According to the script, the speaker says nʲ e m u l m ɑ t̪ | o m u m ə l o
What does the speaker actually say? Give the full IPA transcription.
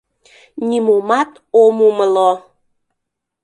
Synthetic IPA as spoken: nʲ i m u m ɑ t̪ | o m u m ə l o